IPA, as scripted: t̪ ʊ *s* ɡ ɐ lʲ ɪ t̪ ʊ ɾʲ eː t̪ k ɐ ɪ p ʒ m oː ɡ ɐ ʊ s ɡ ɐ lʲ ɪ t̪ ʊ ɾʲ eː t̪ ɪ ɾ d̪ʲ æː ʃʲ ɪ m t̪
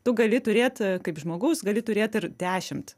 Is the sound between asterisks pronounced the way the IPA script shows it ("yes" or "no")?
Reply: no